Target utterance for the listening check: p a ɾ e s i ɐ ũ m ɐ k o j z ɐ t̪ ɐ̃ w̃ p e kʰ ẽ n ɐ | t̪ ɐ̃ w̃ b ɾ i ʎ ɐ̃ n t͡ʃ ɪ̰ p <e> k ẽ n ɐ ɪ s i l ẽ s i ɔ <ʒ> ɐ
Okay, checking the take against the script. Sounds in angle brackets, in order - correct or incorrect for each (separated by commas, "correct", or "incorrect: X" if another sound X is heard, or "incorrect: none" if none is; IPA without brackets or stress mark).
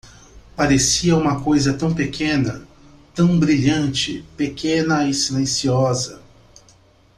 correct, incorrect: z